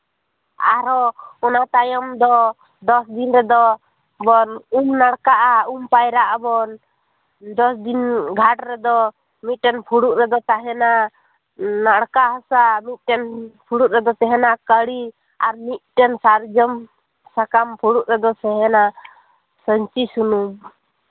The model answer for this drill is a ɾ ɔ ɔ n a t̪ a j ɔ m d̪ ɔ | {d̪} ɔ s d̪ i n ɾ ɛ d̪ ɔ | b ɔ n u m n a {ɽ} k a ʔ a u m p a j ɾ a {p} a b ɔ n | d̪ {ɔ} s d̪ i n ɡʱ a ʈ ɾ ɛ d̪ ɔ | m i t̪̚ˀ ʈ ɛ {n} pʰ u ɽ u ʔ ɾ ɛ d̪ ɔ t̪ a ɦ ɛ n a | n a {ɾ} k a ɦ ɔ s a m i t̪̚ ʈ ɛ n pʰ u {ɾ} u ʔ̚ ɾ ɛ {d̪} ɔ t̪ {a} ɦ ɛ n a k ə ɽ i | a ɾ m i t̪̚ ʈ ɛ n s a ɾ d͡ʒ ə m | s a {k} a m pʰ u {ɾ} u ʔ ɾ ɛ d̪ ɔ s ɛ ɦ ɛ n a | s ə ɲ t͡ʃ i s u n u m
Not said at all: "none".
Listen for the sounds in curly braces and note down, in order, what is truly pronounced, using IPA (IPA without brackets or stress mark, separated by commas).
d̪, ɽ, ʔ, ɔ, n, ɽ, ɽ, d̪, ɛ, k, ɽ